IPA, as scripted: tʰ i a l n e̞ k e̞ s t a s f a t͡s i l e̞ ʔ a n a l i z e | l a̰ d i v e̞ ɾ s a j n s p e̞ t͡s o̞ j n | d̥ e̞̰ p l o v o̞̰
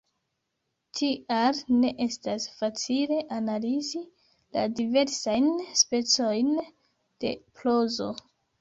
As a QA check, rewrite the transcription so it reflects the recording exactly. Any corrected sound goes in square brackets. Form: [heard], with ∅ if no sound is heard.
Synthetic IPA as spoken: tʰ i a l n e̞ [ʔ] e̞ s t a s f a t͡s i l e̞ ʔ a n a l i z [i] | l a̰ d i v e̞ ɾ s a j n s p e̞ t͡s o̞ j n | d̥ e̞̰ p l o [z] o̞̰

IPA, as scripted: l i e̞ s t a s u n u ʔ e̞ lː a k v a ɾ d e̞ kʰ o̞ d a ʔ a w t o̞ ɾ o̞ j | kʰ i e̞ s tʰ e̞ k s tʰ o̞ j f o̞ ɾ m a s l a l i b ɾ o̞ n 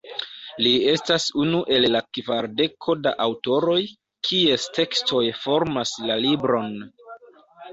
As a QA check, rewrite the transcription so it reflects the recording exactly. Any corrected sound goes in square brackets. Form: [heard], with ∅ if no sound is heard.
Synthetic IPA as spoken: l i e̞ s t a s u n u ʔ e̞ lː a k v a ɾ d e̞ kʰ o̞ d a ʔ a w t o̞ ɾ o̞ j | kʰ i e̞ s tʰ e̞ k s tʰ o̞ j f o̞ ɾ m a s l a l i b ɾ o̞ n

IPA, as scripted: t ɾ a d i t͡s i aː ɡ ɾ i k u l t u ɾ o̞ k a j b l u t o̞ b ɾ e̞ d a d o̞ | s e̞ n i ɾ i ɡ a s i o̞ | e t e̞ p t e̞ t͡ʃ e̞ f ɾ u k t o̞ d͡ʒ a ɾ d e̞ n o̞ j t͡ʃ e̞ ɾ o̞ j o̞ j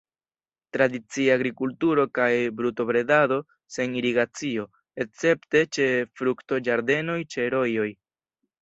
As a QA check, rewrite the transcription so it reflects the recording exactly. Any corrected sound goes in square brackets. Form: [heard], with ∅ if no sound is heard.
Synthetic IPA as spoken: t ɾ a d i t͡s i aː ɡ ɾ i k u l t u ɾ o̞ k a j b [ɾ] u t o̞ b ɾ e̞ d a d o̞ | s e̞ n i ɾ i ɡ a [t͡s] i o̞ | e [t͡s] e̞ p t e̞ t͡ʃ e̞ f ɾ u k t o̞ d͡ʒ a ɾ d e̞ n o̞ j t͡ʃ e̞ ɾ o̞ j o̞ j

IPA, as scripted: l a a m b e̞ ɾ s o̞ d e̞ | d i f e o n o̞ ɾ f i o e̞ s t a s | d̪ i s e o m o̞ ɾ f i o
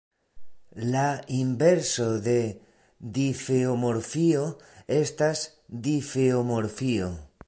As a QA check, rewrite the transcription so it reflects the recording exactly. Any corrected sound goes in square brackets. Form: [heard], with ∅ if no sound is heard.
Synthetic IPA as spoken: l a [i] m b e̞ ɾ s o̞ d e̞ | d i f e o [m] o̞ ɾ f i o e̞ s t a s | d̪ i [f] e o m o̞ ɾ f i o

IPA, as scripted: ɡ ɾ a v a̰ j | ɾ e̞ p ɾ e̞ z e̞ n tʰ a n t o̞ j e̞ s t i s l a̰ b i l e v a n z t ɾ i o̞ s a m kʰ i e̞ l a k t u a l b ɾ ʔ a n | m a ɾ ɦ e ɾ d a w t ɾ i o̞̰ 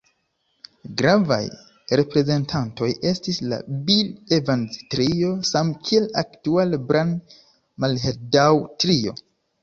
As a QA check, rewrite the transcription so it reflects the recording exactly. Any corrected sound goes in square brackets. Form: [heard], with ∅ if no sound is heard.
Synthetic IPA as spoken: ɡ ɾ a v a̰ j | ɾ e̞ p ɾ e̞ z e̞ n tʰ a n t o̞ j e̞ s t i s l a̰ b i l e v a n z t ɾ i o̞ s a m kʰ i e̞ l a k t u a l b ɾ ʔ a n | m a [l] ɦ e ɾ d a w t ɾ i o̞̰

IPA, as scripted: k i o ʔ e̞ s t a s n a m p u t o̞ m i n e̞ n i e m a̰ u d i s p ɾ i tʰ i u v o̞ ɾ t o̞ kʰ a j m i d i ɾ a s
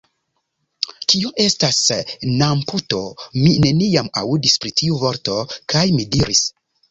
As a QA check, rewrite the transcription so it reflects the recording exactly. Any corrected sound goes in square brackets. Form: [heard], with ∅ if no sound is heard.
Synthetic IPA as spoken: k i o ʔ e̞ s t a s n a m p u t o̞ m i n e̞ n i [a] m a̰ u d i s p ɾ i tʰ i u v o̞ ɾ t o̞ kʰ a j m i d i ɾ [i] s

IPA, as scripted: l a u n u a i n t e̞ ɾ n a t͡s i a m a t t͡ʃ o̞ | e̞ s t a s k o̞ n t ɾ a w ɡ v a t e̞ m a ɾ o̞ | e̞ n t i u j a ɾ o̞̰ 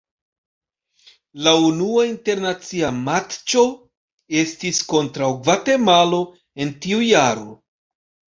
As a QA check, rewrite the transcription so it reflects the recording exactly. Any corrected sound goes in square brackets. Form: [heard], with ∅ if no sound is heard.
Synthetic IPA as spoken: l a u n u a i n t e̞ ɾ n a t͡s i a m a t t͡ʃ o̞ | e̞ s t [i] s k o̞ n t ɾ a w ɡ v a t e̞ m a [l] o̞ | e̞ n t i u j a ɾ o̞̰

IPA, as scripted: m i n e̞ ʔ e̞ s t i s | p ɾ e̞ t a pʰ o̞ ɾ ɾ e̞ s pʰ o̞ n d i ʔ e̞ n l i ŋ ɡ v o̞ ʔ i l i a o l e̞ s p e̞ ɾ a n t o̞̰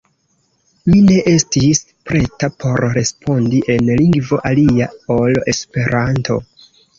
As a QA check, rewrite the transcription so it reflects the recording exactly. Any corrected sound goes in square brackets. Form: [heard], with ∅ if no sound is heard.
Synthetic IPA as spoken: m i n e̞ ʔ e̞ s t i s | p ɾ e̞ t a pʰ o̞ ɾ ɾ e̞ s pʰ o̞ n d i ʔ e̞ n l i ŋ ɡ v o̞ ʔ [a] l i a o l e̞ s p e̞ ɾ a n t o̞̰

